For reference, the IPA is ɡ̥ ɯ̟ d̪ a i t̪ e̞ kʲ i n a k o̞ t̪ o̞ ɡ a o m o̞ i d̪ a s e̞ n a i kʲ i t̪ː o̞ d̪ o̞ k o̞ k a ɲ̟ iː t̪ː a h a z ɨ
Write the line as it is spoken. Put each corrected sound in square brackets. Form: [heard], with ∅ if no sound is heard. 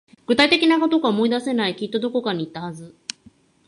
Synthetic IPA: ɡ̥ ɯ̟ [t̪] a i t̪ e̞ kʲ i n a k o̞ t̪ o̞ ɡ a o m o̞ i d̪ a s e̞ n a i kʲ i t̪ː o̞ d̪ o̞ k o̞ k a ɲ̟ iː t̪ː a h a z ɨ